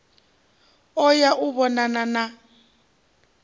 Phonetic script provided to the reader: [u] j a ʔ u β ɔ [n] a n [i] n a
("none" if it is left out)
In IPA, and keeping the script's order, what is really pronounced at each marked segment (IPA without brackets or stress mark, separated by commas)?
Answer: ɔ, n, a